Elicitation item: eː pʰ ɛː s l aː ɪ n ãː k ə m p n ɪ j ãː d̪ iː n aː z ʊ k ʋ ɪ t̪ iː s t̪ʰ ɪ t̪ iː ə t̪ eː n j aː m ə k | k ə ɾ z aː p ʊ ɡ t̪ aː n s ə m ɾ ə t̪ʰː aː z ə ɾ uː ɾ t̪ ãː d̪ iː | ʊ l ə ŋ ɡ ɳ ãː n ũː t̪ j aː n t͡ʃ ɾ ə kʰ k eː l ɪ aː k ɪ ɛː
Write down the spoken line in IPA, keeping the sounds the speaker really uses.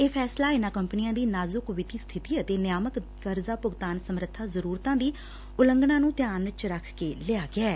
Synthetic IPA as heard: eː pʰ ɛː s l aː ɪ n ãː k ə m p n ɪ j ãː d̪ iː n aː z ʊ k ʋ ɪ t̪ iː s t̪ʰ ɪ t̪ iː ə t̪ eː n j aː m ə k | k ə ɾ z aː p ʊ ɡ t̪ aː n s ə m ɾ ə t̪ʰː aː z ə ɾ uː ɾ t̪ ãː d̪ iː | ʊ l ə ŋ ɡ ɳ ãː n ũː t̪ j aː n t͡ʃ ɾ ə kʰ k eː l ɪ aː ɡ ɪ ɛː